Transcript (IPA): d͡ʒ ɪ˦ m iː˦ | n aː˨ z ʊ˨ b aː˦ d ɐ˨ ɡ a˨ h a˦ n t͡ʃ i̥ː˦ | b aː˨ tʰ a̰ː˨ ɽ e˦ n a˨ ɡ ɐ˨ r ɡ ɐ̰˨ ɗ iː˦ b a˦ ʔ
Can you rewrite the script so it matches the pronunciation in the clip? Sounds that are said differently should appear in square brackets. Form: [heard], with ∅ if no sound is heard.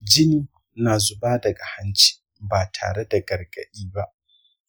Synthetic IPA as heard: d͡ʒ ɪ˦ [n] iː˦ | n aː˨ z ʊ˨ b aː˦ d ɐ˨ ɡ a˨ h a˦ n t͡ʃ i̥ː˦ | b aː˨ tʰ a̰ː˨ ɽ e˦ [d] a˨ ɡ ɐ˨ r ɡ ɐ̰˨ ɗ iː˦ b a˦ ʔ